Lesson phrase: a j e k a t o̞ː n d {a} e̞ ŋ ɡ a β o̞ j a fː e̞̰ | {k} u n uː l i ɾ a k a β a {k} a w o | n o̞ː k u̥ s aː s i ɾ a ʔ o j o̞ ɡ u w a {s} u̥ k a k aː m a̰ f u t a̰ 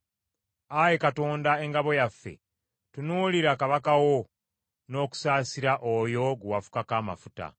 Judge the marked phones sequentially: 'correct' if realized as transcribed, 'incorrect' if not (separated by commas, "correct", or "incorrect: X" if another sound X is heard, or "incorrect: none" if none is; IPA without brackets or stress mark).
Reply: correct, incorrect: t, correct, incorrect: f